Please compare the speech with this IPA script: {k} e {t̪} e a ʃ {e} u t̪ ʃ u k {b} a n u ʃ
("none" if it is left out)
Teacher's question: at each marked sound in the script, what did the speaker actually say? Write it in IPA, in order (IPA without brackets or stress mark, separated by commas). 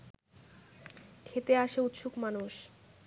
kʰ, t̪, e, m